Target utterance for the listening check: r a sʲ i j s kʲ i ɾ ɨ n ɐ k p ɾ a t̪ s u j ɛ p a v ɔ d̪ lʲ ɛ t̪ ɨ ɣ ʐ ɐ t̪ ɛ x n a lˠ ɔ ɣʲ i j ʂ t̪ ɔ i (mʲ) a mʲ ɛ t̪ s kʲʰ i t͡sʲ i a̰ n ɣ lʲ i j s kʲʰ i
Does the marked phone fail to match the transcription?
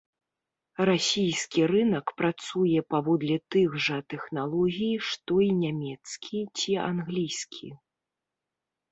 yes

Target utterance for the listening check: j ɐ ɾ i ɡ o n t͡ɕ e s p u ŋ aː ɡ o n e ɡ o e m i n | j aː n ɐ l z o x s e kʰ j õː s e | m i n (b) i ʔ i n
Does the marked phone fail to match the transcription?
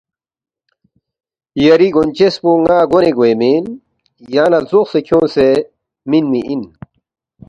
yes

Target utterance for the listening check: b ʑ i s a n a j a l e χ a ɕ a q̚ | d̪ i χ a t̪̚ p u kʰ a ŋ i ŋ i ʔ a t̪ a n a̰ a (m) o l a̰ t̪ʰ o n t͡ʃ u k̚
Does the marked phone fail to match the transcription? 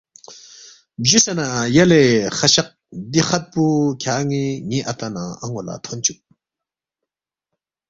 yes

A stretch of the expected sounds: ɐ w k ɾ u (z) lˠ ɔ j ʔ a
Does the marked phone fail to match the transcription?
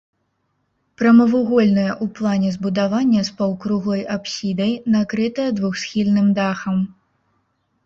yes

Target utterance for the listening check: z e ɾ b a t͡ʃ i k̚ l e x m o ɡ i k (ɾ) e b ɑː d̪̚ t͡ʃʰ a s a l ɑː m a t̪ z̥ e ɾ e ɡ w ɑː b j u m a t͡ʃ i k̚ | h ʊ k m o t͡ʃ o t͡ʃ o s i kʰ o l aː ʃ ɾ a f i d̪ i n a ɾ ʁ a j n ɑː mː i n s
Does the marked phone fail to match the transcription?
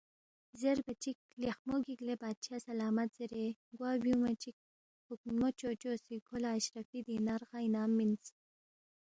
yes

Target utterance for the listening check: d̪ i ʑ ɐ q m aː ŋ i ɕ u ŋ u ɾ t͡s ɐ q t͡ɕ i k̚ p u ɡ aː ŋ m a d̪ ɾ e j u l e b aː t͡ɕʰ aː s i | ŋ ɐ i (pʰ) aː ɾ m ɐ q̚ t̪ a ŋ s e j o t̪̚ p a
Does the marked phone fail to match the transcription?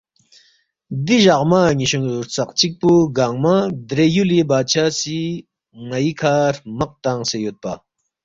yes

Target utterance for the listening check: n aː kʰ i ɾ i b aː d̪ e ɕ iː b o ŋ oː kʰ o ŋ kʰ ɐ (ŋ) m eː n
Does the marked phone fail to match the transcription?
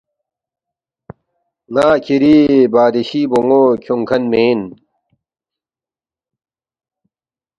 yes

